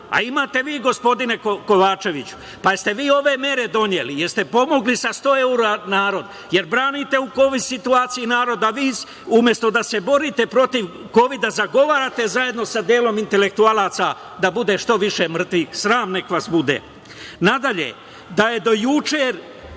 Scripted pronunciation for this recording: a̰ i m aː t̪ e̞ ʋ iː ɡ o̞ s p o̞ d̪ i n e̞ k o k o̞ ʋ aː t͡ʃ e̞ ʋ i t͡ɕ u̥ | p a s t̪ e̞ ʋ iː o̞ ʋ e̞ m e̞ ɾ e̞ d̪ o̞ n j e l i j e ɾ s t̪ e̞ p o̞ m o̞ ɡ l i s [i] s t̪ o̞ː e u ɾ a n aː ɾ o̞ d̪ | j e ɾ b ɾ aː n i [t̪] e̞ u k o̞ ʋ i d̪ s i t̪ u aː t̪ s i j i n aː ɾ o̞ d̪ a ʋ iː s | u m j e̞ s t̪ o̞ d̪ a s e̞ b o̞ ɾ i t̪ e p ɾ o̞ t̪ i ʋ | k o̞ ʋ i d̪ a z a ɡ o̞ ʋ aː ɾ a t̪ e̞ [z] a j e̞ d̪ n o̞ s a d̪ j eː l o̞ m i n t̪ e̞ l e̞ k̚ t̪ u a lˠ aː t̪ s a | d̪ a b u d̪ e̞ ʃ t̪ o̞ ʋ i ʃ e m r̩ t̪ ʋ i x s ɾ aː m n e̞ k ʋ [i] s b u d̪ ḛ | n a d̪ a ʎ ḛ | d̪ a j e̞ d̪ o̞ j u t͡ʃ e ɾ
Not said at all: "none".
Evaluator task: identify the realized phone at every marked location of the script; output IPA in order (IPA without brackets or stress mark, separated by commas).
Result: a, t̪, z, a